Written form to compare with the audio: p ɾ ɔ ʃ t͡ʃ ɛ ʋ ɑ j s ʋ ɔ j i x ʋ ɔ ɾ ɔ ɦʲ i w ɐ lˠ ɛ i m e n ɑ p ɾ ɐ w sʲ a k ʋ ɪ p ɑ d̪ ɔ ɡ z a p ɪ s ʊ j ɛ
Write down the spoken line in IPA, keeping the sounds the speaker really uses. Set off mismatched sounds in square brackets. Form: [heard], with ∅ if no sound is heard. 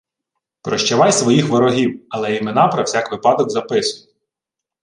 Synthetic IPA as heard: p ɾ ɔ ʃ t͡ʃ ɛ ʋ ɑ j s ʋ ɔ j i x ʋ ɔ ɾ ɔ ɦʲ i w ɐ lˠ ɛ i m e n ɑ p ɾ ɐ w sʲ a k ʋ ɪ p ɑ d̪ ɔ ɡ z [ɐ] p ɪ s ʊ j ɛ